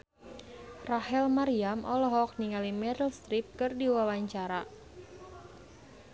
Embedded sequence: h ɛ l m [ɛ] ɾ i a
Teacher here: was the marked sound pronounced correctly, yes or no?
no